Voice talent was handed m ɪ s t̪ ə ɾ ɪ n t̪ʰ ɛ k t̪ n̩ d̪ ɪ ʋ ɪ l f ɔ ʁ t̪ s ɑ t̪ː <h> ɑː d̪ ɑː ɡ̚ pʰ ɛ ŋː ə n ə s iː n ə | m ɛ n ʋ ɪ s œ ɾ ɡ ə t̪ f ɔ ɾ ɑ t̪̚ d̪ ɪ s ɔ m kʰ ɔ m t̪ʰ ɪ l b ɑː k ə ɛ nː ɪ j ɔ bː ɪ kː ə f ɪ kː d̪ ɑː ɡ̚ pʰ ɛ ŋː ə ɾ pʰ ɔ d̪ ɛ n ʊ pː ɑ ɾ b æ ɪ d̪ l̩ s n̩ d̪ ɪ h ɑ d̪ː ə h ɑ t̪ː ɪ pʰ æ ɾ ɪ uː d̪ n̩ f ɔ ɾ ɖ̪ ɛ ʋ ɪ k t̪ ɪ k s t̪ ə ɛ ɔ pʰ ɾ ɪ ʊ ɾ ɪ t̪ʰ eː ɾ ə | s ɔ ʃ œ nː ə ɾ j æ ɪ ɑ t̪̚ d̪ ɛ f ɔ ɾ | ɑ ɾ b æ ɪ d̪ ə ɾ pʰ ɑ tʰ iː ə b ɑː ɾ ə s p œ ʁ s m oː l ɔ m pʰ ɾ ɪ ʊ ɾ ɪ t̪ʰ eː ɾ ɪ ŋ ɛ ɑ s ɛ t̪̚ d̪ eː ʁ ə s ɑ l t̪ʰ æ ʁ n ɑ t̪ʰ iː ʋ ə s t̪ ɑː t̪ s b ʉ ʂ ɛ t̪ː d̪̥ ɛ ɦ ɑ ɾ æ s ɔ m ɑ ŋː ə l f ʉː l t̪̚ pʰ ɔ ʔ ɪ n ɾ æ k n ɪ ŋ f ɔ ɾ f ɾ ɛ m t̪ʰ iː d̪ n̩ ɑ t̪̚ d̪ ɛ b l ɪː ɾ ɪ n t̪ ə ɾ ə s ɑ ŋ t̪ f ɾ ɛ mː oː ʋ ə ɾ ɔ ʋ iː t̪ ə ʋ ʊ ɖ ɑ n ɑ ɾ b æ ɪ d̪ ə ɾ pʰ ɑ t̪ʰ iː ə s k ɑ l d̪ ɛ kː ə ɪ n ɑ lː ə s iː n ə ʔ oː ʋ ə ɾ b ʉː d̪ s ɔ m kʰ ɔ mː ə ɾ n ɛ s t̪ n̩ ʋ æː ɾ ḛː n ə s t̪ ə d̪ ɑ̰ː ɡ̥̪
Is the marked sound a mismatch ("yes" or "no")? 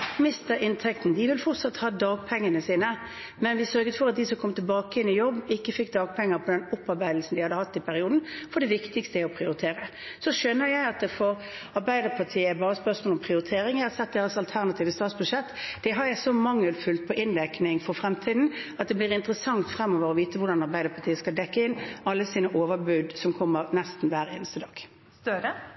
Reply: no